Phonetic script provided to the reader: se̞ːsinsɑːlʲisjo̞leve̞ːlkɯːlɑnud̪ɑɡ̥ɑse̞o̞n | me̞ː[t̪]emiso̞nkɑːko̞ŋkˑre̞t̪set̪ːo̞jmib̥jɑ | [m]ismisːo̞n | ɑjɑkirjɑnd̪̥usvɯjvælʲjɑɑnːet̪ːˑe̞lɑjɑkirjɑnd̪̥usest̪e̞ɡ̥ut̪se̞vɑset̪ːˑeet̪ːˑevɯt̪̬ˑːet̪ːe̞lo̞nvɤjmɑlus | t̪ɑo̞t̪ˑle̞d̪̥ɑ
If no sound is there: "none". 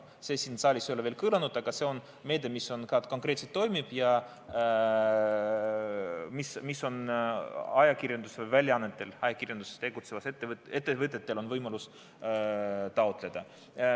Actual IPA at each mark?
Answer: d̪, m

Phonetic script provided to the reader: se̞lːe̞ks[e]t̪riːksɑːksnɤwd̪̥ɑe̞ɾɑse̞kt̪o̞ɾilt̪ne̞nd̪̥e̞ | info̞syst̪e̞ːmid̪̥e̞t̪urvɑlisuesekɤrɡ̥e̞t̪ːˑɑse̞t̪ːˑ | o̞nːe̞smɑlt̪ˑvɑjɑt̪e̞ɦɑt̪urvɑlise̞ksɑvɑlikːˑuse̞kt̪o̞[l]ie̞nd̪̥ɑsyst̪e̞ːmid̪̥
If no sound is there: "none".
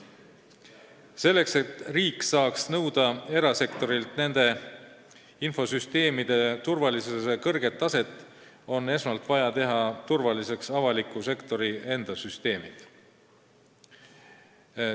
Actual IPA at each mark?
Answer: e, ɾ

